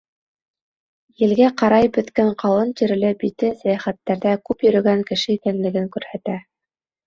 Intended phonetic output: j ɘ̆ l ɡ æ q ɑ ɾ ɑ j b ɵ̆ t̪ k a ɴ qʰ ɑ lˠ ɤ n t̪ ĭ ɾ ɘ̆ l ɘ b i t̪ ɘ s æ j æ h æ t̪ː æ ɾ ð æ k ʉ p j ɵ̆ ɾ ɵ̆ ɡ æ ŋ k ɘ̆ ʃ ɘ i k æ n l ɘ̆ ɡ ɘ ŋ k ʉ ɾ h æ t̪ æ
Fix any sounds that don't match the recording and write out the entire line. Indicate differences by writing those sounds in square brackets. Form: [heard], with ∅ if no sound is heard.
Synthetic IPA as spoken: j ɘ̆ l ɡ æ q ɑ ɾ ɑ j b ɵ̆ t̪ k [æ] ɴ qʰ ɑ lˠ ɤ n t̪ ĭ ɾ ɘ̆ l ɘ b i t̪ ɘ s æ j æ [χ] æ t̪ː æ ɾ ð æ k ʉ p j ɵ̆ ɾ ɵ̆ ɡ æ ŋ k ɘ̆ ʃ ɘ i k æ n l ɘ̆ ɡ ɘ ŋ k ʉ ɾ h æ t̪ æ